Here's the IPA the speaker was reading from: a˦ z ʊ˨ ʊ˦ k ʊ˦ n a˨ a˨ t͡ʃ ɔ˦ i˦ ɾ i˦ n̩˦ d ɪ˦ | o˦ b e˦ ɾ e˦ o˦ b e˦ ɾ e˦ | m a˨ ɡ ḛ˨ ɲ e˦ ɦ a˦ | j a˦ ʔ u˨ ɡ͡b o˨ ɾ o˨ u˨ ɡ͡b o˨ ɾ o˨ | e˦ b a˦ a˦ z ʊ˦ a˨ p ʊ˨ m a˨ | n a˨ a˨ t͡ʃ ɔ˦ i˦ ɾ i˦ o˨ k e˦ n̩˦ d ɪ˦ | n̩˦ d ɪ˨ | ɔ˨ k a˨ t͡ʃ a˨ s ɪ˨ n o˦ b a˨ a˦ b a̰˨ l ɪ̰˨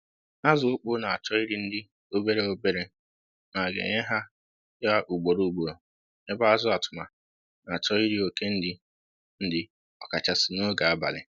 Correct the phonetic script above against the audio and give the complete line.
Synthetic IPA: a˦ z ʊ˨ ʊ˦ k͡p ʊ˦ n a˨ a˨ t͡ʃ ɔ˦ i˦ ɾ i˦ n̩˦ d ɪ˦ | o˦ b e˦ ɾ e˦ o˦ b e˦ ɾ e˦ | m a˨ ɡ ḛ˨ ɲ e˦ ɦ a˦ | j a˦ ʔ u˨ ɡ͡b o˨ ɾ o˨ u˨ ɡ͡b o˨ ɾ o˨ | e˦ b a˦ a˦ z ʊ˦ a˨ t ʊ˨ m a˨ | n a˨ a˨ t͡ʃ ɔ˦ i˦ ɾ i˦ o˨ k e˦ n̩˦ d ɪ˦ | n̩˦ d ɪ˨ | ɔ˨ k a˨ t͡ʃ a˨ s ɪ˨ n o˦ ɡ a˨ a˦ b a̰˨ l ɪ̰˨

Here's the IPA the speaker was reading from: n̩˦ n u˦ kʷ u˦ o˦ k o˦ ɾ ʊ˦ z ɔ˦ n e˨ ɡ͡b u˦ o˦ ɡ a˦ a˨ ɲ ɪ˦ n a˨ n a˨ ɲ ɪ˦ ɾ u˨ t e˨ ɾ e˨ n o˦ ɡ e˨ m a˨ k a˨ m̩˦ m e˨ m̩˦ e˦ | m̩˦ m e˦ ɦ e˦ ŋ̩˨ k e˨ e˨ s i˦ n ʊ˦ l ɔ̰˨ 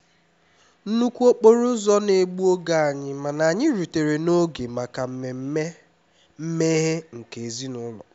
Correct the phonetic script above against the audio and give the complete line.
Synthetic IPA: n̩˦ n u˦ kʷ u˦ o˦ k͡p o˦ ɾ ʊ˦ z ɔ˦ n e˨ ɡ͡b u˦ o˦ ɡ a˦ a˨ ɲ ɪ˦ m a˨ n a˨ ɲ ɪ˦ ɾ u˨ t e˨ ɾ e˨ n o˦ ɡ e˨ m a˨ k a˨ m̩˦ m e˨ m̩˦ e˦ | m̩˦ m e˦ ɦ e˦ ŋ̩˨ k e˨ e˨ z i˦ n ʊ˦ l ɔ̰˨

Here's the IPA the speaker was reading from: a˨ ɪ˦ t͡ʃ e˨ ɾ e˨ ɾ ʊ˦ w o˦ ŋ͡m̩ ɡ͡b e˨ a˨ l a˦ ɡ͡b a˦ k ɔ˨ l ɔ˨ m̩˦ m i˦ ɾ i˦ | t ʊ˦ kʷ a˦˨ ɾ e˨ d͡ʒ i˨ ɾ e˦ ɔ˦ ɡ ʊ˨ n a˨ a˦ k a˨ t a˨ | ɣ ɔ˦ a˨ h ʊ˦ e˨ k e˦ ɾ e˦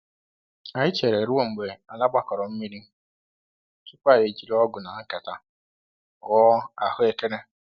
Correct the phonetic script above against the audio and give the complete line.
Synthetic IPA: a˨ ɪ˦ t͡ʃ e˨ ɾ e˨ ɾ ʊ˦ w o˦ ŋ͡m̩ ɡ͡b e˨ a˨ l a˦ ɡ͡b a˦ k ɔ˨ ɾ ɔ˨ m̩˦ m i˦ ɾ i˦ | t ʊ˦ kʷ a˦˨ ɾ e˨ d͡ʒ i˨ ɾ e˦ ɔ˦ ɡ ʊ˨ n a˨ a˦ k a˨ t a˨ | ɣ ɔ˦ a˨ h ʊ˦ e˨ k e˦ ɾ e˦

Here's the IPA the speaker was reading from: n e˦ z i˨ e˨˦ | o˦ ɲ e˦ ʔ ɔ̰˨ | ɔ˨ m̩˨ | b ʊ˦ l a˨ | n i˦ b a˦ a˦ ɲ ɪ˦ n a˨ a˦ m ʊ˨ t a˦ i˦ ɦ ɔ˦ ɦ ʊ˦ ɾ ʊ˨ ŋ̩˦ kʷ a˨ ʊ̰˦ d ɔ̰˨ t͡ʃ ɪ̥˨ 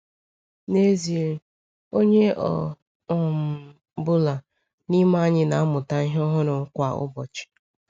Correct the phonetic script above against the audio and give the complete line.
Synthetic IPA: n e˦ z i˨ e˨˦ | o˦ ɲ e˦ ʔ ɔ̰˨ | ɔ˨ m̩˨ | b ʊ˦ l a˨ | n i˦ m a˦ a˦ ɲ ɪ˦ n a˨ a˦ m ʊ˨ t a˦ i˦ ɦ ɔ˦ ɦ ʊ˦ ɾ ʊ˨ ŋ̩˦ kʷ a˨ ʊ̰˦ b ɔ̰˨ t͡ʃ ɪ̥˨

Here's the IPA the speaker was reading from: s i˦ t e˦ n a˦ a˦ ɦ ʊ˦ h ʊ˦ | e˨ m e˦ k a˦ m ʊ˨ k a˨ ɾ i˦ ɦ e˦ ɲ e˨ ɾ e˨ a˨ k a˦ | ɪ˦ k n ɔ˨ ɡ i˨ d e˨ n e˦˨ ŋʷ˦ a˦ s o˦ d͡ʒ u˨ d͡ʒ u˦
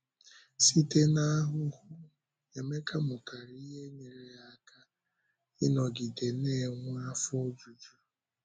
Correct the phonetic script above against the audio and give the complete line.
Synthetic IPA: s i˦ t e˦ n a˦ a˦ ɦ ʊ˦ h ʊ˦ | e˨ m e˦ k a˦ m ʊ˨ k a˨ ɾ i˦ ɦ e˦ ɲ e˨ ɾ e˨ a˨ k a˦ | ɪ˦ n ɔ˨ ɡ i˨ d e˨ n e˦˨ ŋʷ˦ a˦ f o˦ d͡ʒ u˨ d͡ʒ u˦

